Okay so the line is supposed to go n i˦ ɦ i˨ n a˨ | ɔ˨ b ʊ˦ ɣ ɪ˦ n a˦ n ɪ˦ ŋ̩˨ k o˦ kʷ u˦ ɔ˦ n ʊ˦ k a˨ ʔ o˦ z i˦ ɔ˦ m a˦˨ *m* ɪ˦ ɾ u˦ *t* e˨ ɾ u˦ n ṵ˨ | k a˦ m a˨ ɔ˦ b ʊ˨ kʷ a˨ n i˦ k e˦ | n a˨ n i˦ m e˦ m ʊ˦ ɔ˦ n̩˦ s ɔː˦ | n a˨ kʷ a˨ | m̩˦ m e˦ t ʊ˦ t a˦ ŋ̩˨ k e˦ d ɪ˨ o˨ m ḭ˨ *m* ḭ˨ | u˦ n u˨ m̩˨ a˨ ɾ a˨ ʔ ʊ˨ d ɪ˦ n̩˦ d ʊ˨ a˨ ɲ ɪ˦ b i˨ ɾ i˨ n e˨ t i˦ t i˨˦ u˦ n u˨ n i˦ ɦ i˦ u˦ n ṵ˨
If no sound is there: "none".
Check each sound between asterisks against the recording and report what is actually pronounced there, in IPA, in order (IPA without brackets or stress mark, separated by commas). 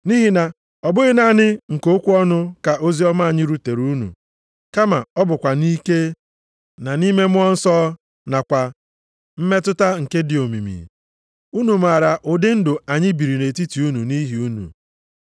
ɲ, t, m